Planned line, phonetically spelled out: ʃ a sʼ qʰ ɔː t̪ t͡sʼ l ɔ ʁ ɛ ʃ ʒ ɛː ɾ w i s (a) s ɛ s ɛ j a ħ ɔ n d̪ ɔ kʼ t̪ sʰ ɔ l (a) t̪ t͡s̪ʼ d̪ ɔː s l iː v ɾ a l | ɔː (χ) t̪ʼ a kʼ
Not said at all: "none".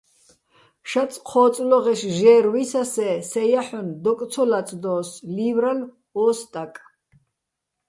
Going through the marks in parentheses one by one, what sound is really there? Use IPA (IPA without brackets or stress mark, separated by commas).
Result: a, a, s